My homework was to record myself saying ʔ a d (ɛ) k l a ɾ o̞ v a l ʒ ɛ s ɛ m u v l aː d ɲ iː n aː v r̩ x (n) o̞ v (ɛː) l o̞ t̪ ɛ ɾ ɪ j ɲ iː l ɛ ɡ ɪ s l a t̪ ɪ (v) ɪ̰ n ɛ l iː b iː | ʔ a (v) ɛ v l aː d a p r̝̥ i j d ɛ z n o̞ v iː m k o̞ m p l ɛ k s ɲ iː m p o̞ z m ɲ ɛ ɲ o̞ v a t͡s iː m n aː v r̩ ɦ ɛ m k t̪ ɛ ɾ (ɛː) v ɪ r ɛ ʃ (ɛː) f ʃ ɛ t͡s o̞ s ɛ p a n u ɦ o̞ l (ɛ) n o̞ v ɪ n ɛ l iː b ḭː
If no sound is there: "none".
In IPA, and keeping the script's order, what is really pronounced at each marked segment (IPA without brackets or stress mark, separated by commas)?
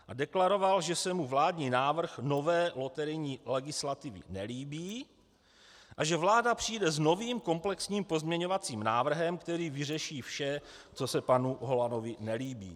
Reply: ɛ, n, ɛː, v, ʒ, iː, iː, a